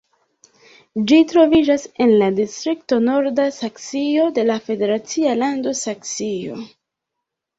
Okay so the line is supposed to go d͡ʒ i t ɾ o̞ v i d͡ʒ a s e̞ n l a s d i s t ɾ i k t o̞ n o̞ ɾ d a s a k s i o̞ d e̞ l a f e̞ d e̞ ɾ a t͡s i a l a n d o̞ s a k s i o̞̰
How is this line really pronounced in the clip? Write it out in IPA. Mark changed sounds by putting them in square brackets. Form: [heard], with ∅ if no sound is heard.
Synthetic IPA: d͡ʒ i t ɾ o̞ v i d͡ʒ a s e̞ n l a [∅] d i s t ɾ i k t o̞ n o̞ ɾ d a s a k s i o̞ d e̞ l a f e̞ d e̞ ɾ a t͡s i a l a n d o̞ s a k s i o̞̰

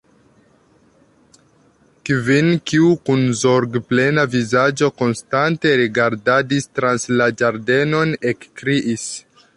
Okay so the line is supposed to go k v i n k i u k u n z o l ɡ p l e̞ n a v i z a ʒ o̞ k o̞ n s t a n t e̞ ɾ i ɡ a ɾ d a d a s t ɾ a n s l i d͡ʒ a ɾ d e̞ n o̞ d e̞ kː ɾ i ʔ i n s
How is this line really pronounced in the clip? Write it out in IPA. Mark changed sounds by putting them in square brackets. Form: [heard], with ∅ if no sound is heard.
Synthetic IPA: k v i n k i u k u n z o [ɾ] ɡ p l e̞ n a v i z a [d͡ʒ] o̞ k o̞ n s t a n t e̞ ɾ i ɡ a ɾ d a d [i] s t ɾ a n s l [a] d͡ʒ a ɾ d e̞ n o̞ [n] e̞ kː ɾ i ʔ i [∅] s

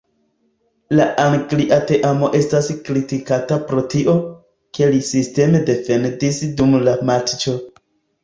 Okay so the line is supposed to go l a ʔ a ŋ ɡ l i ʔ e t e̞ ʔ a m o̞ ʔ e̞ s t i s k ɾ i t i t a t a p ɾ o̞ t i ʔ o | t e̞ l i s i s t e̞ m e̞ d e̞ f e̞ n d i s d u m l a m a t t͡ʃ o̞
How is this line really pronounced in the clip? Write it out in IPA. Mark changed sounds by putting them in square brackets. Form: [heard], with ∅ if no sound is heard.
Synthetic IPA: l a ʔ a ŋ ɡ l i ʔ [a] t e̞ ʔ a m o̞ ʔ e̞ s t [a] s k ɾ i t i [k] a t a p ɾ o̞ t i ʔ o | [k] e̞ l i s i s t e̞ m e̞ d e̞ f e̞ n d i s d u m l a m a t t͡ʃ o̞

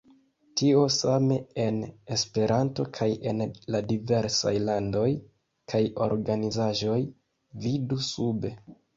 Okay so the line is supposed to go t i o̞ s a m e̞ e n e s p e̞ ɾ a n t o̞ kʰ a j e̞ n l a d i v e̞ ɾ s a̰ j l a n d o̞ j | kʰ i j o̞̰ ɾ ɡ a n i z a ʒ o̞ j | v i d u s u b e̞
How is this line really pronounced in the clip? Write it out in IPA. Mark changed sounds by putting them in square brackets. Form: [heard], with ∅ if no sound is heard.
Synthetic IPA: t i o̞ s a m e̞ e n e s p e̞ ɾ a n t o̞ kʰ a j e̞ n l a d i v e̞ ɾ s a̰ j l a n d o̞ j | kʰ [a] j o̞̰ ɾ ɡ a n i z a ʒ o̞ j | v i d u s u b e̞

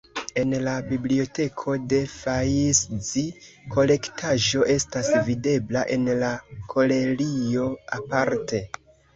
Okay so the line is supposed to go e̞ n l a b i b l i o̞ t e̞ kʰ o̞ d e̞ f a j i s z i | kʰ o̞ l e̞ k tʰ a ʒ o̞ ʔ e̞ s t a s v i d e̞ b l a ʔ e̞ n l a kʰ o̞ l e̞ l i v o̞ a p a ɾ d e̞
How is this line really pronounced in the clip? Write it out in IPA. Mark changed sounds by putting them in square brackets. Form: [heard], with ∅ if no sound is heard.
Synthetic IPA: e̞ n l a b i b l i o̞ t e̞ kʰ o̞ d e̞ f a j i s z i | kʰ o̞ l e̞ k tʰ a ʒ o̞ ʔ e̞ s t a s v i d e̞ b l a ʔ e̞ n l a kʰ o̞ l e̞ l i [∅] o̞ a p a ɾ [t] e̞

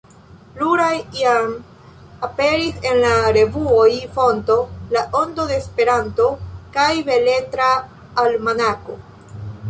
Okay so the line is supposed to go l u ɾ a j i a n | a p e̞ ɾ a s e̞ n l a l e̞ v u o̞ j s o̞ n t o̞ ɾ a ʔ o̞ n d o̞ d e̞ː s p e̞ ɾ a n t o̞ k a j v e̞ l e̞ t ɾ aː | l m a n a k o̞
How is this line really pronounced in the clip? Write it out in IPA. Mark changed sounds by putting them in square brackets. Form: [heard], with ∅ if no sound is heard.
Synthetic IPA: l u ɾ a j i a [m] | a p e̞ ɾ [i] s e̞ n l a [ɾ] e̞ v u o̞ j [f] o̞ n t o̞ [l] a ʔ o̞ n d o̞ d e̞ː s p e̞ ɾ a n t o̞ k a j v e̞ l e̞ t ɾ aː | l m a n a k o̞

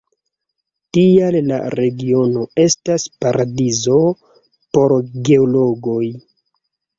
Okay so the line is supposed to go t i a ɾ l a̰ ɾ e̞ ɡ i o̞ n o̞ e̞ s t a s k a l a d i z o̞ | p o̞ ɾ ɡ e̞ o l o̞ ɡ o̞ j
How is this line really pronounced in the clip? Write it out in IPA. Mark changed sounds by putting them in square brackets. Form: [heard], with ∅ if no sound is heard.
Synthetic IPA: t i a [l] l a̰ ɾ e̞ ɡ i o̞ n o̞ e̞ s t a s [p] a [ɾ] a d i z o̞ | p o̞ ɾ ɡ e̞ o l o̞ ɡ o̞ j

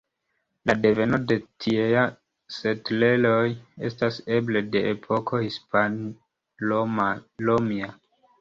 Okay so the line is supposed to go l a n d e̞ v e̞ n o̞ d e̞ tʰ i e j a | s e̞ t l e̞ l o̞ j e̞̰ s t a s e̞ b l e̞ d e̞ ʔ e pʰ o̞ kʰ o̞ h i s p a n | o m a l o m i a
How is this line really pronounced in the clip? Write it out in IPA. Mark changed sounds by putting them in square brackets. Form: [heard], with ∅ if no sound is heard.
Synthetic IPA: l a [∅] d e̞ v e̞ n o̞ d e̞ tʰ i e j a | s e̞ t l e̞ l o̞ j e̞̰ s t a s e̞ b l e̞ d e̞ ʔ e pʰ o̞ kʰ o̞ h i s p a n | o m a l o m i a

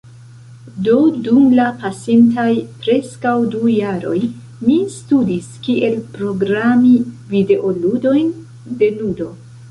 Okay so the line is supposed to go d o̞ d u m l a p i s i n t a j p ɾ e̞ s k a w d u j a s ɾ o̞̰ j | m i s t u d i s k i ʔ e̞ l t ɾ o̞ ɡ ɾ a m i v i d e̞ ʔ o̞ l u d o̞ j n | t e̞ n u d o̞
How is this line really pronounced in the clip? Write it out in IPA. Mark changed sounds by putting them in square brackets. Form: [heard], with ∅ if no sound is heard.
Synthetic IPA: d o̞ d u m l a p [a] s i n t a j p ɾ e̞ s k a w d u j a [∅] ɾ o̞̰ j | m i s t u d i s k i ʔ e̞ l [p] ɾ o̞ ɡ ɾ a m i v i d e̞ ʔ o̞ l u d o̞ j n | [d] e̞ n u d o̞

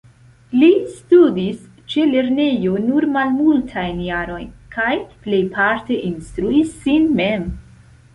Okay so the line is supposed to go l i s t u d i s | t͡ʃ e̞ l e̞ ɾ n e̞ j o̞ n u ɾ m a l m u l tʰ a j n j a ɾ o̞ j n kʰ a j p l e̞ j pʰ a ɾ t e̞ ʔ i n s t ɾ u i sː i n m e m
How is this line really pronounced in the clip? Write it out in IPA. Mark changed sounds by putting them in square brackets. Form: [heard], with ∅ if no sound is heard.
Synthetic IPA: l i s t u d i s | t͡ʃ e̞ l e̞ ɾ n e̞ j o̞ n u ɾ m a l m u l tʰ a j n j a ɾ o̞ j n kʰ a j p l e̞ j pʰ a ɾ t e̞ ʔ i n s t ɾ u i sː i n m e m

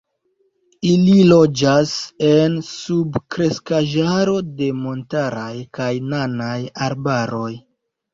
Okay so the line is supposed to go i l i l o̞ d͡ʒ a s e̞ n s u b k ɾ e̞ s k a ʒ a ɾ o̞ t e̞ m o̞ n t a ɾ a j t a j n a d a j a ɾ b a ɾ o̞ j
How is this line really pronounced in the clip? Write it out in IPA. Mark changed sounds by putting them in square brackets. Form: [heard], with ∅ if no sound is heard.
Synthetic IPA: i l i l o̞ d͡ʒ a s e̞ n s u b k ɾ e̞ s k a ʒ a ɾ o̞ [d] e̞ m o̞ n t a ɾ a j [k] a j n a [n] a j a ɾ b a ɾ o̞ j

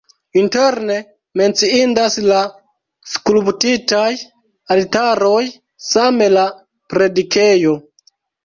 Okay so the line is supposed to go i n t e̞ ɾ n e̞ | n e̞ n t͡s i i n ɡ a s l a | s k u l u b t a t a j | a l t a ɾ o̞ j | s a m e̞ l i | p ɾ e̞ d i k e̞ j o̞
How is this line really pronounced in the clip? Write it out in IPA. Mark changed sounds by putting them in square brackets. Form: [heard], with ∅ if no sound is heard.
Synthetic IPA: i n t e̞ ɾ n e̞ | [m] e̞ n t͡s i i n [d] a s l a | s k u l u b t [i] t a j | a l t a ɾ o̞ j | s a m e̞ l [a] | p ɾ e̞ d i k e̞ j o̞

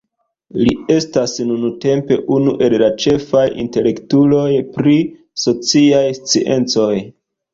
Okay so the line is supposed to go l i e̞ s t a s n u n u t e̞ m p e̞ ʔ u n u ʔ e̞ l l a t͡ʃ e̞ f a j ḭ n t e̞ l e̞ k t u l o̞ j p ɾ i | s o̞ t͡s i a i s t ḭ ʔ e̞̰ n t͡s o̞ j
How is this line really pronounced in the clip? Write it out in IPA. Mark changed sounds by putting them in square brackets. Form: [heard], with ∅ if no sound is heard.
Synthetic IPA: l i e̞ s t a s n u n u t e̞ m p e̞ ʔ u n u ʔ e̞ l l a t͡ʃ e̞ f a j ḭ n t e̞ l e̞ k t u l o̞ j p ɾ i | s o̞ t͡s i a [j] s [t͡s] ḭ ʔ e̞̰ n t͡s o̞ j

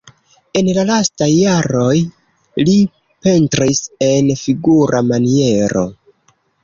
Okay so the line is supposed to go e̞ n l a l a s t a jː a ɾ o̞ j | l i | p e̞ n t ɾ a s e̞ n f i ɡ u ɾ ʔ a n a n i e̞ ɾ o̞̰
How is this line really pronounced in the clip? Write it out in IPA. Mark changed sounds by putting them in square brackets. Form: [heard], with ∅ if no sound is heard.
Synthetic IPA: e̞ n l a l a s t a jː a ɾ o̞ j | l i | p e̞ n t ɾ [i] s e̞ n f i ɡ u ɾ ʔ a [m] a n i e̞ ɾ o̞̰

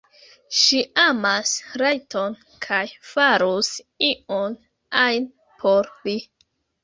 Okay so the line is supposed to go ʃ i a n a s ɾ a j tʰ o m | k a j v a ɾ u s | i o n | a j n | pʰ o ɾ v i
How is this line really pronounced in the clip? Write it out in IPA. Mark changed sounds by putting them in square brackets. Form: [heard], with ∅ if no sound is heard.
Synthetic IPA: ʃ i a [m] a s ɾ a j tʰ o [n] | [kʰ] a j [f] a ɾ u s | i o n | a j n | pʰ o ɾ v i

